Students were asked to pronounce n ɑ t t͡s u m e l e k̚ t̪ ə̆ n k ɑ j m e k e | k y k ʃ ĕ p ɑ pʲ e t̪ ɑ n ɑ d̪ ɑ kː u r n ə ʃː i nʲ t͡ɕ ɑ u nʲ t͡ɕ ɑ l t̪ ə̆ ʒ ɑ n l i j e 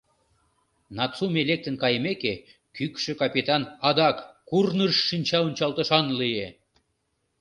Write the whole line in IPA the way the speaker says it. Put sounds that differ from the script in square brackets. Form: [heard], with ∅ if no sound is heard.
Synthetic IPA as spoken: n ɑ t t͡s u m e l e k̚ t̪ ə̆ n k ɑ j m e k e | k y k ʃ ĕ [k] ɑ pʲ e t̪ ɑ n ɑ d̪ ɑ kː u r n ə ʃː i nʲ t͡ɕ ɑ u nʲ t͡ɕ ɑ l t̪ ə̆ [ʃ] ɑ n l i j e

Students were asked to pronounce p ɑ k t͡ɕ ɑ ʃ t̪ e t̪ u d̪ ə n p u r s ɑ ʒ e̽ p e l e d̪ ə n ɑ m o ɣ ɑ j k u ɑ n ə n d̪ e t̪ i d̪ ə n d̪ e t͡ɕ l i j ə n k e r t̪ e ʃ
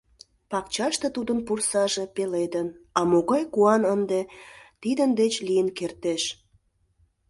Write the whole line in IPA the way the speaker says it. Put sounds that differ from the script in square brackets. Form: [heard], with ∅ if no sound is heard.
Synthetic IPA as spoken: p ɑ k t͡ɕ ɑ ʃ t̪ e t̪ u d̪ ə n p u r s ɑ ʒ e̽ p e l e d̪ ə n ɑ m o ɣ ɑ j k u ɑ n ə n d̪ e t̪ i d̪ ə n d̪ e t͡ɕ l i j ə n k e r t̪ e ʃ

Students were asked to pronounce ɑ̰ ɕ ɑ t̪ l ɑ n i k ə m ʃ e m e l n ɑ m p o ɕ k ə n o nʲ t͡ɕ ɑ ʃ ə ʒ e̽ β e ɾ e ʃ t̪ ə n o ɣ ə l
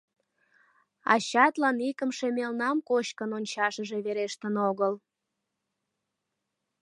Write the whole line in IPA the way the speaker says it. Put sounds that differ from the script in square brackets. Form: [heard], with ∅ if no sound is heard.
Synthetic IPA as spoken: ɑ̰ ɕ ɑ t̪ l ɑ n i k ə m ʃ e m e l n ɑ m [k] o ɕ k ə n o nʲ t͡ɕ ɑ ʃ ə ʒ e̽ β e ɾ e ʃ t̪ ə n o ɣ ə l

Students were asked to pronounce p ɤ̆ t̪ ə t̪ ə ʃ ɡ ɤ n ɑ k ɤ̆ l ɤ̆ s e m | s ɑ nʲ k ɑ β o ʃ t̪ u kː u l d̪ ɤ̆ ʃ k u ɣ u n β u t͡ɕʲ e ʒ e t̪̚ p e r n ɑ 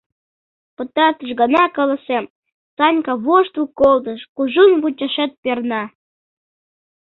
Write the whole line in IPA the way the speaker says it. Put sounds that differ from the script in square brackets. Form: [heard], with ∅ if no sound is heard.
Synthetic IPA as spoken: p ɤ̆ t̪ [ɑ] t̪ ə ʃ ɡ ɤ n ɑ k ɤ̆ l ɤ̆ s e m | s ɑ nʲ k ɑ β o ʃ t̪ u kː [o] l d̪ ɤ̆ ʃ k u [ʒ] u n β u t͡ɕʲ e [ʃ] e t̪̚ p e r n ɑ

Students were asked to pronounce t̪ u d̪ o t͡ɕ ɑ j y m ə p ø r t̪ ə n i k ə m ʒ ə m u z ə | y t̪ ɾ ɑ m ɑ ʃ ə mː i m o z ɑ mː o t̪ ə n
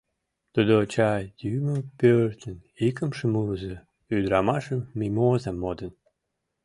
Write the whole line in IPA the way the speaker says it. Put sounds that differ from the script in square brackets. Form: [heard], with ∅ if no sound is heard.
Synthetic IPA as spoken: t̪ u d̪ o t͡ɕ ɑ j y m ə p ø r t̪ ə n i k ə m [ʃ] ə m u z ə | y [d̪] ɾ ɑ m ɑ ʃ ə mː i m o z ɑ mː o [d̪] ə n

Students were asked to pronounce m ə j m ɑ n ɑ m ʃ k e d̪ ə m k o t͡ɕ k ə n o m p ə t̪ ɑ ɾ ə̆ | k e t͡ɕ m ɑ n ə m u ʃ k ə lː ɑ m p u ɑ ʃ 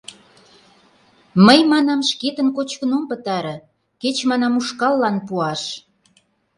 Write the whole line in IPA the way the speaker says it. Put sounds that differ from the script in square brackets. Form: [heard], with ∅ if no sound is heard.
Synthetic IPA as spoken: m ə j m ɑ n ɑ m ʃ k e [t̪] ə [n] k o t͡ɕ k ə n o m p ə t̪ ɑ ɾ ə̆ | k e t͡ɕ m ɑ n [ɑ] m u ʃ k [ɑ] lː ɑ [n] p u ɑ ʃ

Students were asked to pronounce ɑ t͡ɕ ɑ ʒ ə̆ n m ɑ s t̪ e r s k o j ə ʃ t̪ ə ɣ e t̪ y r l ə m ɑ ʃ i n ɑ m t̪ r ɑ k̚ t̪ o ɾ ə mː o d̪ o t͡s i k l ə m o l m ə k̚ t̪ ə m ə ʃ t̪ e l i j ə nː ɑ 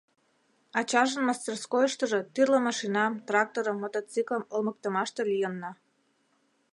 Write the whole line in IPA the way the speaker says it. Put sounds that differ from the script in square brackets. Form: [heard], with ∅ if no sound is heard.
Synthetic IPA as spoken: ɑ t͡ɕ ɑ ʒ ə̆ n m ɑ s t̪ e r s k o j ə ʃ t̪ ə [ʒ] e t̪ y r l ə m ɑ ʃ i n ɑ m t̪ r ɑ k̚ t̪ o ɾ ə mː o [t̪] o t͡s i k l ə m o l m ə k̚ t̪ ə m [ɑ] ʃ t̪ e l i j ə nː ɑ

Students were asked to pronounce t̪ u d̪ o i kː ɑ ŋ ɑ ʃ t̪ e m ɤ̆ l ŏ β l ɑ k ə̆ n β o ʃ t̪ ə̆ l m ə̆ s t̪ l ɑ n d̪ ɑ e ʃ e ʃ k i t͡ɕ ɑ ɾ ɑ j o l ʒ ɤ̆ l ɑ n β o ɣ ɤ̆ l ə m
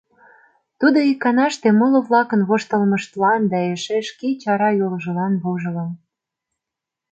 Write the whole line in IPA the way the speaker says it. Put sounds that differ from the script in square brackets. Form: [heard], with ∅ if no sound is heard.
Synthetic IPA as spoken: t̪ u d̪ o i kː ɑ [n] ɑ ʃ t̪ e m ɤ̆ l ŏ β l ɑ k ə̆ n β o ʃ t̪ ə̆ l m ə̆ [ʃ] t̪ l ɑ n d̪ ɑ e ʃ e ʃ k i t͡ɕ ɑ ɾ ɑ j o l ʒ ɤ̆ l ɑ n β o [ʒ] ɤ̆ l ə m

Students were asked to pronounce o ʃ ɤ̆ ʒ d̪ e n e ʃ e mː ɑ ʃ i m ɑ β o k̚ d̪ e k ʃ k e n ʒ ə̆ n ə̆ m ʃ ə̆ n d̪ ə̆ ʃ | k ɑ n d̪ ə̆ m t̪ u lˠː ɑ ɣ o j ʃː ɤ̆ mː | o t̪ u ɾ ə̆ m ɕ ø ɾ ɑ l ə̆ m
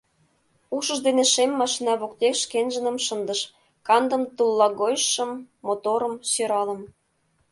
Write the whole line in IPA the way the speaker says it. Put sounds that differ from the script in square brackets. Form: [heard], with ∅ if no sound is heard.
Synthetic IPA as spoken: [u] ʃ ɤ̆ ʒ d̪ e n e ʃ e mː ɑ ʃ i [n] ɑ β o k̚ [t̪] e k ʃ k e n ʒ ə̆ n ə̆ m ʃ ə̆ n d̪ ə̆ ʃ | k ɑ n d̪ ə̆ m t̪ u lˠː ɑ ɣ o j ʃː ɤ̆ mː | o t̪ [o] ɾ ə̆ m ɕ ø ɾ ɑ l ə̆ m

